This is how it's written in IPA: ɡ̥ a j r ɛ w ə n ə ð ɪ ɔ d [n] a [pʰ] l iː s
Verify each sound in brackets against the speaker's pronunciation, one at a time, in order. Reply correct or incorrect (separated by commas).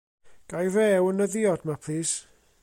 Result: incorrect, correct